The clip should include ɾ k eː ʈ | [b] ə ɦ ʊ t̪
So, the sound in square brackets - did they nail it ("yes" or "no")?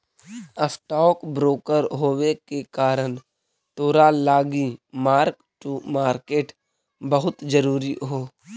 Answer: yes